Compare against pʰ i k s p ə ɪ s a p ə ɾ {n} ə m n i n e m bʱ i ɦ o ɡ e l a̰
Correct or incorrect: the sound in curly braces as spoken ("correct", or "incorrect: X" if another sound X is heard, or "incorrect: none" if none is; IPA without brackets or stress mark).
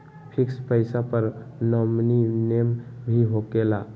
correct